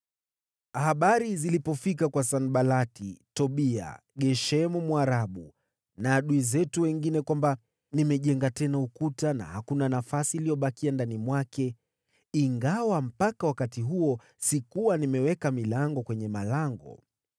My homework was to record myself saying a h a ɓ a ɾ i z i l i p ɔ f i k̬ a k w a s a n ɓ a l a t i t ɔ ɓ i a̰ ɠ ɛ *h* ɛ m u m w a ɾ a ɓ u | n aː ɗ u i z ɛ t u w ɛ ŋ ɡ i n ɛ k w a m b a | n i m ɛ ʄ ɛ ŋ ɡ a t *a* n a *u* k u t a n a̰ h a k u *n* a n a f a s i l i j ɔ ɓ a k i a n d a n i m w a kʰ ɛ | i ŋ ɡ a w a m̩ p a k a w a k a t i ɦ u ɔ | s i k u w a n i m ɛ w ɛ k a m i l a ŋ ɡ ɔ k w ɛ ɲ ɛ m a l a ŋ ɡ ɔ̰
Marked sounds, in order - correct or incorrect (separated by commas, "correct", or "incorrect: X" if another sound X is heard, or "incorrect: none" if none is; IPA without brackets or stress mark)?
incorrect: ʃ, incorrect: ɛ, correct, correct